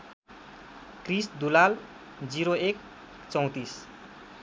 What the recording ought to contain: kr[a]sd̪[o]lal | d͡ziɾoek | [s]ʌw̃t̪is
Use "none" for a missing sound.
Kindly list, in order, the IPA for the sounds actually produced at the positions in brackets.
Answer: i, u, t͡s

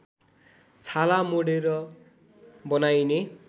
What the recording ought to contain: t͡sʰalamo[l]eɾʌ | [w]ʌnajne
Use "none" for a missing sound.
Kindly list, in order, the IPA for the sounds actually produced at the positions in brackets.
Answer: ɽ, b

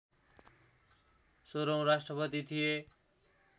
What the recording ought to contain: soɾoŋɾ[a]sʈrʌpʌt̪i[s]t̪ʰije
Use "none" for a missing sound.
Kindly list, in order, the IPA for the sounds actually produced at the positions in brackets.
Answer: a, none

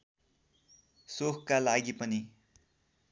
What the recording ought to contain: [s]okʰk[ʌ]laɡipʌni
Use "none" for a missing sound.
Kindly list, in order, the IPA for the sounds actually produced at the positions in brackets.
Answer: s, a

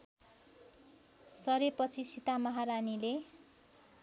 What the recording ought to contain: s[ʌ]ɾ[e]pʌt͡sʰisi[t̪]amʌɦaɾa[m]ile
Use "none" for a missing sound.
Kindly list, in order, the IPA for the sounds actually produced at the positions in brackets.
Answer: ʌ, e, t̪, n

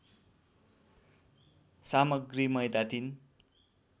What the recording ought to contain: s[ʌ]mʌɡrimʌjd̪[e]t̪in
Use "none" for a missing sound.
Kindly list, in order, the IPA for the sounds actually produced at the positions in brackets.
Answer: a, a

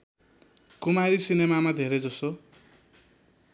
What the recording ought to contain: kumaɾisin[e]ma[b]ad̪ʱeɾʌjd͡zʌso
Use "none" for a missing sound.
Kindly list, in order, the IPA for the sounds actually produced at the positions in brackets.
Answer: e, m

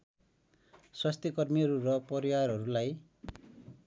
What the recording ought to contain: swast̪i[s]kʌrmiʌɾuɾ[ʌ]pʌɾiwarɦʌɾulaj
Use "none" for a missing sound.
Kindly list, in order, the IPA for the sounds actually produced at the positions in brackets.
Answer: none, ʌ

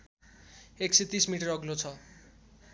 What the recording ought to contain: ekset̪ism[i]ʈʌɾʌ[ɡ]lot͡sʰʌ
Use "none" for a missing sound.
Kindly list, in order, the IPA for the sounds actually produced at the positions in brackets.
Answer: i, ɡ

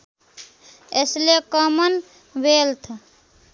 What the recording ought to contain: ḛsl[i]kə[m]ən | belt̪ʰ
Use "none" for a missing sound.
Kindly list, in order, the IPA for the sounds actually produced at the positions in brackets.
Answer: e, m

